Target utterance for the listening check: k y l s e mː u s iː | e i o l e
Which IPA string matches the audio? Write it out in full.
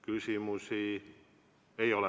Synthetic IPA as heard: k y l s i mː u s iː | e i o l e